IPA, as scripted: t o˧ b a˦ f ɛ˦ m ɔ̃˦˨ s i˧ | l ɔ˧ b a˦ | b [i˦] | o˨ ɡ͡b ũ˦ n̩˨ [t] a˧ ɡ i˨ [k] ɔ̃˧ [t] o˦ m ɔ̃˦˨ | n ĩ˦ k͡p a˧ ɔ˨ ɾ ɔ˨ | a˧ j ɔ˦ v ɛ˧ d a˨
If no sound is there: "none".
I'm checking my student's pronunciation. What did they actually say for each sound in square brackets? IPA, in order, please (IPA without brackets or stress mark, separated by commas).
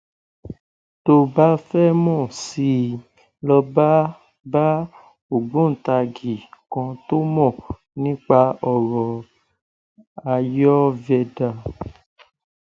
a˦, t, k, t